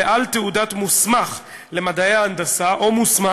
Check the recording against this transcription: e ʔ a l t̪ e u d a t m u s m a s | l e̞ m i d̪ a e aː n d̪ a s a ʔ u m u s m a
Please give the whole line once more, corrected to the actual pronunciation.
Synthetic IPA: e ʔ a l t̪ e u d a t m u s m a χ | l e̞ m a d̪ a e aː n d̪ a s a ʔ o m u s m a